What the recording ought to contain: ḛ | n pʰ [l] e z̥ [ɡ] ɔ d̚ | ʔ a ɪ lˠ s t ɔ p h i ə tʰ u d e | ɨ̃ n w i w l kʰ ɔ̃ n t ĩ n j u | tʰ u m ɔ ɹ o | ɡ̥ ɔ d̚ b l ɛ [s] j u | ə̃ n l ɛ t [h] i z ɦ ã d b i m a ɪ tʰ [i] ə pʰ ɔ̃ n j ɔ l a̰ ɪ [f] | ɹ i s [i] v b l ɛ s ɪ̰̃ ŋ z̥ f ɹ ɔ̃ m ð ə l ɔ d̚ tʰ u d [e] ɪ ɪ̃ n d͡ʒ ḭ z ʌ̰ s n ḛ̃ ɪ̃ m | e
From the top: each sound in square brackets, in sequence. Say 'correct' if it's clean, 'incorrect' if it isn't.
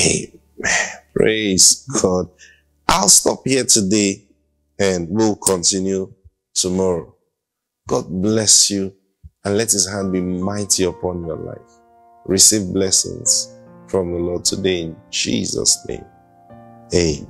incorrect: ɹ, correct, correct, correct, correct, correct, correct, correct

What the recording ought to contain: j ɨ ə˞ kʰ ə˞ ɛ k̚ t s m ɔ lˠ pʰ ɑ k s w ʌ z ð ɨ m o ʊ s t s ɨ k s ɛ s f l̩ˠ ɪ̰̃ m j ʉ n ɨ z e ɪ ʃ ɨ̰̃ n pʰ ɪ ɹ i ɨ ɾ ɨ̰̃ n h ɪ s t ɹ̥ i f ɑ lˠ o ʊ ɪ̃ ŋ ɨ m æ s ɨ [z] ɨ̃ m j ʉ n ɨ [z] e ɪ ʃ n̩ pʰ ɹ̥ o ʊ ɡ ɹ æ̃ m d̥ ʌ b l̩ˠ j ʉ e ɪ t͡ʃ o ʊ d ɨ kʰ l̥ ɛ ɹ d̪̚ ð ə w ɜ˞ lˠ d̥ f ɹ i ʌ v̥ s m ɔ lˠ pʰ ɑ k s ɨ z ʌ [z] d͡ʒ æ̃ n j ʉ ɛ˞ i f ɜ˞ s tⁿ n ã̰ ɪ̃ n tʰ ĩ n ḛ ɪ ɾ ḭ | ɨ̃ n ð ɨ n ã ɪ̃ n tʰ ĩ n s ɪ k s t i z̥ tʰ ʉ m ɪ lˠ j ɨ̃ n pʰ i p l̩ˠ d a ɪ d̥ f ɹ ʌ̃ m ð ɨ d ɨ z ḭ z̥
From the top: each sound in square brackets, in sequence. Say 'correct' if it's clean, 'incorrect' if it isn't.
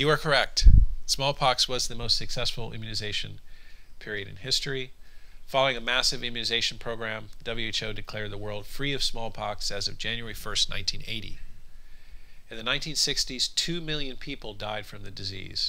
incorrect: v, correct, incorrect: v

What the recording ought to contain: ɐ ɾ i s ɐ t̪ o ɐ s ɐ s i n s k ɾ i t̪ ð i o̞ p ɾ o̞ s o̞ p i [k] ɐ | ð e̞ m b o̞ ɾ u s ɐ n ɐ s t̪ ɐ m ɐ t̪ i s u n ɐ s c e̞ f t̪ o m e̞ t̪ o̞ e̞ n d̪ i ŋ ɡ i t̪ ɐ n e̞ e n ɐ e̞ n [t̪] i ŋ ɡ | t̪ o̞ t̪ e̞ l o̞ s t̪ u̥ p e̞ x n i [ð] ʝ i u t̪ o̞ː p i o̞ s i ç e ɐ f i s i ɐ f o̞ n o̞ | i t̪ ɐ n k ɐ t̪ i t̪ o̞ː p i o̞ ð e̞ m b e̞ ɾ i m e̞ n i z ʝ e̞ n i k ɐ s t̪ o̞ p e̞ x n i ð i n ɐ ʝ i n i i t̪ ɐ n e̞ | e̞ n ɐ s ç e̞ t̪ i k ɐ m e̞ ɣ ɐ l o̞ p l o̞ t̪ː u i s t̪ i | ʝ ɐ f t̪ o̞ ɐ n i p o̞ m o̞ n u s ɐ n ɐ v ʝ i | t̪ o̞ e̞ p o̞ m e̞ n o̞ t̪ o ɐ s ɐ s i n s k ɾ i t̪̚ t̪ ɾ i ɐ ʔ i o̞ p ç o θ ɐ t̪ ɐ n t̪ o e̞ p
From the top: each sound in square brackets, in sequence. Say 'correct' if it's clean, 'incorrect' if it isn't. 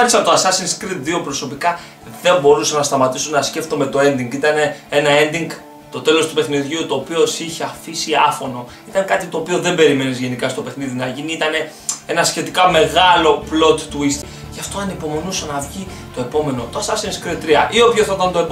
correct, incorrect: d̪, correct

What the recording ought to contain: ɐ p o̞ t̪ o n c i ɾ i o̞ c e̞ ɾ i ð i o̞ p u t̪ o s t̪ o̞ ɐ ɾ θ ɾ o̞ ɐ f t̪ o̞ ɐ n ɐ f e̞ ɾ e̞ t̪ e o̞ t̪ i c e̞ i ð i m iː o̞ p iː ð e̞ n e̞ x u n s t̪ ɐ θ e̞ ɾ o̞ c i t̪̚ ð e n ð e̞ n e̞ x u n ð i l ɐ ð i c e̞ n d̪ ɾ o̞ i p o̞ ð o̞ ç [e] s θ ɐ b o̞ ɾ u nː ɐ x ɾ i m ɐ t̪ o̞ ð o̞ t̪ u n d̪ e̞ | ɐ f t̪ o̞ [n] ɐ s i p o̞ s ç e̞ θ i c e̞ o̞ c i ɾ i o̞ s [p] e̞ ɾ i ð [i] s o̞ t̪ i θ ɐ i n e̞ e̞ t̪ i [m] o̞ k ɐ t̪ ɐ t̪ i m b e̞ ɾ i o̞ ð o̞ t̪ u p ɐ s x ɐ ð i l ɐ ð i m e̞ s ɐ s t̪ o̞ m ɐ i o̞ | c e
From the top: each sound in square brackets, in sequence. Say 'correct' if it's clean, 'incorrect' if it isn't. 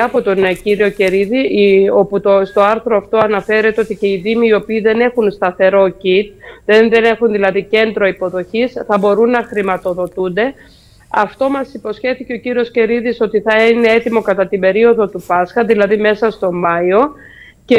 incorrect: i, incorrect: m, incorrect: c, correct, correct

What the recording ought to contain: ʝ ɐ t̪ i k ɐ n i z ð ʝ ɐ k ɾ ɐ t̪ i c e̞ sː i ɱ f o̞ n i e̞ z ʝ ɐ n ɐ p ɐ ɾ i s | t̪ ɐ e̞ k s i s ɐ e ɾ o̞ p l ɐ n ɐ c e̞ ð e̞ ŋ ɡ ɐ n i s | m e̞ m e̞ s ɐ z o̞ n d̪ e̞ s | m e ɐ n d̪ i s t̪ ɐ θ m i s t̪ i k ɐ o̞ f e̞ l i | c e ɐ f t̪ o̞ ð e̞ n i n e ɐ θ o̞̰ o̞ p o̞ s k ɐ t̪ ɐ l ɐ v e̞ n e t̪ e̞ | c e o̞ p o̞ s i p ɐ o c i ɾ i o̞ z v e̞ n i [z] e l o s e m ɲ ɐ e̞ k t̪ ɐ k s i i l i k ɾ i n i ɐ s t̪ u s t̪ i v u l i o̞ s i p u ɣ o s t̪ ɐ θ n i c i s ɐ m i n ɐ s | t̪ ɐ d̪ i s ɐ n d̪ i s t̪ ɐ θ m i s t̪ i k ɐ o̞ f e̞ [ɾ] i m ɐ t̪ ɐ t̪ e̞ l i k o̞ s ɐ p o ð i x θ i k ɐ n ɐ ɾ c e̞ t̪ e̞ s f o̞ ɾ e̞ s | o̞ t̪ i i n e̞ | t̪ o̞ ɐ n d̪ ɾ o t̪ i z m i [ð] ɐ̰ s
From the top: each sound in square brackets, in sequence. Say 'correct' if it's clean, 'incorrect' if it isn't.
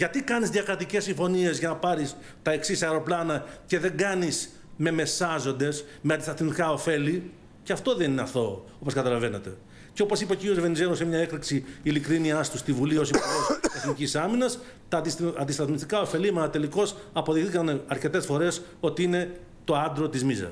correct, incorrect: l, incorrect: z

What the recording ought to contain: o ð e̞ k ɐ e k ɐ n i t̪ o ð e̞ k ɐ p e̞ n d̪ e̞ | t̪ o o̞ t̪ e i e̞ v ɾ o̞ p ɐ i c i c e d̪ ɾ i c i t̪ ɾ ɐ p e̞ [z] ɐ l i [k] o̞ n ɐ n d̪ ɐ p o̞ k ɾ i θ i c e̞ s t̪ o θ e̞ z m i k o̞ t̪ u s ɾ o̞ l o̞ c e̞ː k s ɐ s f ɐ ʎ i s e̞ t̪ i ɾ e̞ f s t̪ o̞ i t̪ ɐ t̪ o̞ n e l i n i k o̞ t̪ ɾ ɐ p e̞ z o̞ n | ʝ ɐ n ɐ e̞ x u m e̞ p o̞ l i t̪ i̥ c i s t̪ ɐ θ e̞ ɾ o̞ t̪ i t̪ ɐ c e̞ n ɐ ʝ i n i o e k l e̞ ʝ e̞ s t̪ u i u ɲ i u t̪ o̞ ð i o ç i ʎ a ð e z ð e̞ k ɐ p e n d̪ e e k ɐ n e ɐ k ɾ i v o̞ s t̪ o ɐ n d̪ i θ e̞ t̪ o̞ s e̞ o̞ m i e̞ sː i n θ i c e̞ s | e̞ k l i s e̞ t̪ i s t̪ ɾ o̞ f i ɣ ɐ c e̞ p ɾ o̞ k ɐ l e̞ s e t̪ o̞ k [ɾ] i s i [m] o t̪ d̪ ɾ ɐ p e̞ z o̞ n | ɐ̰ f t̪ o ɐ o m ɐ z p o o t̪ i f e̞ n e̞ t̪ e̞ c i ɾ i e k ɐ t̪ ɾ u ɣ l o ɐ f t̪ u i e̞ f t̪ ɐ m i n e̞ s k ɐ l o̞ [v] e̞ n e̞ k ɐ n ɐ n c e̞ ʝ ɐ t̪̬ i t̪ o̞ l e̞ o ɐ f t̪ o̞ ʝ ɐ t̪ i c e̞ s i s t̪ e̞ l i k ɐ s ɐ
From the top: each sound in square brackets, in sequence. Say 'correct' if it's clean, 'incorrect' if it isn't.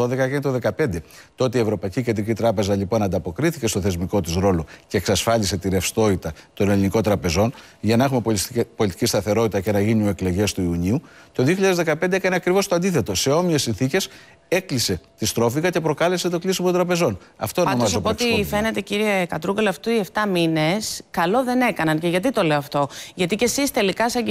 correct, incorrect: p, incorrect: l, correct, incorrect: ð

